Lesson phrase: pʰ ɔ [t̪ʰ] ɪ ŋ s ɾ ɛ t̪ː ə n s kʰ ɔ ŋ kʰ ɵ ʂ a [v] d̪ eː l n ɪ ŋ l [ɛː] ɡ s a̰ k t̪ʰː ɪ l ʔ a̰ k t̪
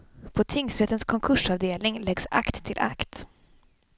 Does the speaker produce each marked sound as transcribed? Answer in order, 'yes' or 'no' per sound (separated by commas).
yes, yes, no